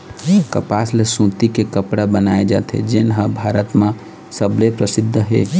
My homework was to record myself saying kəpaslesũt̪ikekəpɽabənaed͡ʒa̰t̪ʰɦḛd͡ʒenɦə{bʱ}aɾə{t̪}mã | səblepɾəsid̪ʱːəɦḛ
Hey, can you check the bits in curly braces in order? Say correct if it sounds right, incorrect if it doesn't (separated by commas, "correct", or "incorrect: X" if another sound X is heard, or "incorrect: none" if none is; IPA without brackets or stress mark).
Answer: correct, correct